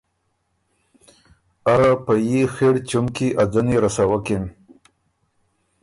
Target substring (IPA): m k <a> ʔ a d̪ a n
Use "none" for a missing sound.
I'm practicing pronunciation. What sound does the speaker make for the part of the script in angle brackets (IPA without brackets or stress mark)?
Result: i